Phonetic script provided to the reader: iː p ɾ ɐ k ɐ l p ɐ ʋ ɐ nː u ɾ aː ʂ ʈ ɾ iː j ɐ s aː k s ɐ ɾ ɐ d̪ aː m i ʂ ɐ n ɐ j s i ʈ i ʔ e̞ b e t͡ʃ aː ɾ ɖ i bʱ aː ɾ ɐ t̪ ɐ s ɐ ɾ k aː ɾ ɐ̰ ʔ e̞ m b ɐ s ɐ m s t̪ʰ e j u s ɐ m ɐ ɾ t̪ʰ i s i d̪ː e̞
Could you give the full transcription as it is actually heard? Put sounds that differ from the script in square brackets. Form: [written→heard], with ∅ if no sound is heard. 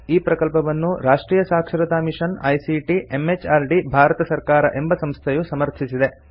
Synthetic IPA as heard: iː p ɾ ɐ k ɐ l p ɐ ʋ ɐ nː u ɾ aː ʂ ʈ ɾ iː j ɐ s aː k [s→ʂ] ɐ ɾ ɐ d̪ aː m i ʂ ɐ n ɐ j s i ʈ i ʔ e̞ [b→m] e t͡ʃ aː ɾ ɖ i bʱ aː ɾ ɐ t̪ ɐ s ɐ ɾ k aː ɾ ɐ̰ ʔ e̞ m b ɐ s ɐ m s t̪ʰ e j u s ɐ m ɐ ɾ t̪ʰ i s i [d̪ː→d̪] e̞